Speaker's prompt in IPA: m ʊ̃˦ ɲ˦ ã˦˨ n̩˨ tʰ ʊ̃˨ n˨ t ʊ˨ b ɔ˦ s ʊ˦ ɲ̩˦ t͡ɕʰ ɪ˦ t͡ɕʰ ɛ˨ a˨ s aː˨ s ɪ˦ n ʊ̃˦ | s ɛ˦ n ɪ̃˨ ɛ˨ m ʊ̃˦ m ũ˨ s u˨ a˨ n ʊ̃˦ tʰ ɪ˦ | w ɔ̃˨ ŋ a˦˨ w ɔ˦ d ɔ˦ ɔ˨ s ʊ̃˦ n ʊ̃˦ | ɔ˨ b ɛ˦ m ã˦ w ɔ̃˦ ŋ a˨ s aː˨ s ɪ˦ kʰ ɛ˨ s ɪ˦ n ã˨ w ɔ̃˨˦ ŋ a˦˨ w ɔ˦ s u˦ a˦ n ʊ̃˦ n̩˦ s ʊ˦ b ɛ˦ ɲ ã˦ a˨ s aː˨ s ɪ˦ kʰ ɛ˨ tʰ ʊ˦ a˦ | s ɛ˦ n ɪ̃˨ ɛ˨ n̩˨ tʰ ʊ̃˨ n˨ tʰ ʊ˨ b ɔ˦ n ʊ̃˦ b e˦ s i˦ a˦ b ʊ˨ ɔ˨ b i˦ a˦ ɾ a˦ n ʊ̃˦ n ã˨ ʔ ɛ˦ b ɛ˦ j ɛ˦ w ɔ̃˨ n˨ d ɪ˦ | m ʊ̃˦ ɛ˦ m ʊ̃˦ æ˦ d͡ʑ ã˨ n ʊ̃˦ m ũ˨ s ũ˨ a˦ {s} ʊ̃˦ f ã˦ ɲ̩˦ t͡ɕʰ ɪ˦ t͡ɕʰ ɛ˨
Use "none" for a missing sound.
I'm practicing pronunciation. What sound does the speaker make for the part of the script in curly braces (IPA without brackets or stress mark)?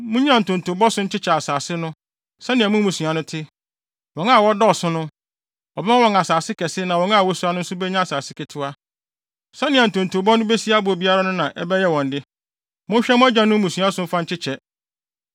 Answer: s